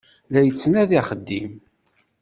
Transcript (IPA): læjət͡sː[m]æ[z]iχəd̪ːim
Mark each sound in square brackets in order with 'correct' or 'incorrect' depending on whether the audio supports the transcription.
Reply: incorrect: n, incorrect: ð

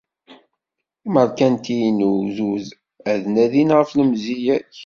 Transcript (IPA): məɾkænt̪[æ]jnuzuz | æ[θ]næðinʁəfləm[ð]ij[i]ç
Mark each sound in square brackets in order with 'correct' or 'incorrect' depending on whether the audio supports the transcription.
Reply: incorrect: i, incorrect: ð, incorrect: z, incorrect: æ

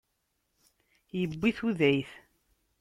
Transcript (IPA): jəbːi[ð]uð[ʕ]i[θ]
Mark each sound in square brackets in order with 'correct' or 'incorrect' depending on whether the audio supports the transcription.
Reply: incorrect: θ, correct, correct

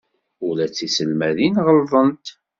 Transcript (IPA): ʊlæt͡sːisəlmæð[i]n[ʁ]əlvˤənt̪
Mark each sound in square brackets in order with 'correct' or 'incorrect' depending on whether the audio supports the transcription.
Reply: correct, correct

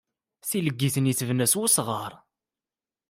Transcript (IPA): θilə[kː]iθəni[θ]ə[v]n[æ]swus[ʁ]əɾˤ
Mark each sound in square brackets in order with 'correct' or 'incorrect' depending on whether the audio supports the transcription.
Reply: incorrect: ɡː, correct, correct, correct, correct

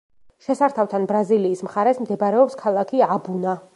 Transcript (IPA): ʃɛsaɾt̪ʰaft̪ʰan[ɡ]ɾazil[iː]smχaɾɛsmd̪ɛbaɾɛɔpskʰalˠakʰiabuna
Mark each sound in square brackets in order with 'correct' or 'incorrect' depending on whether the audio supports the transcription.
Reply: incorrect: b, correct

